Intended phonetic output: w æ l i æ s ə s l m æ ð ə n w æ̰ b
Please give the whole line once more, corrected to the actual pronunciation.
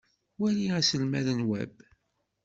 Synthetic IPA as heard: w æ l i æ s ə l m æ ð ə n w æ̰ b